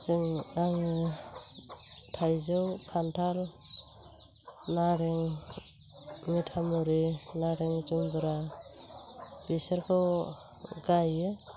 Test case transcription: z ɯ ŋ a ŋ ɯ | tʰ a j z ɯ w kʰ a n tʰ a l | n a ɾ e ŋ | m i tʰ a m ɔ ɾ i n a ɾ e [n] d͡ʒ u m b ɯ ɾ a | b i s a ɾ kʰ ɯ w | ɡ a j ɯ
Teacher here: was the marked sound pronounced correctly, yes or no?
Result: no